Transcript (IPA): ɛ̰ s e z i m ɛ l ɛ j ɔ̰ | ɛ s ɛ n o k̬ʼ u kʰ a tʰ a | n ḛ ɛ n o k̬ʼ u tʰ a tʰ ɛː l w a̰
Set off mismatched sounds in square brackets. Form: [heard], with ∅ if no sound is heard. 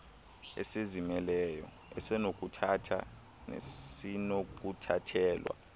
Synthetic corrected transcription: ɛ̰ s e z i m ɛ l ɛ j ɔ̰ | ɛ s ɛ n o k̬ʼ u [tʰ] a tʰ a | n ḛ [i] n o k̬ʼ u tʰ a tʰ ɛː l w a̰